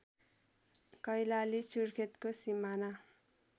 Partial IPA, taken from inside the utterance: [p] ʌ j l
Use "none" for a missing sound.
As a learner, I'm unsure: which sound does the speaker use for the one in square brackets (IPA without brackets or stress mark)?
k